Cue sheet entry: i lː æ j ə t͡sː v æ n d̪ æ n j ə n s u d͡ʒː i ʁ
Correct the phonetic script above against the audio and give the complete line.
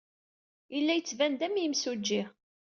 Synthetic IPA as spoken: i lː æ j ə t͡sː v æ n d̪ æ m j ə m s u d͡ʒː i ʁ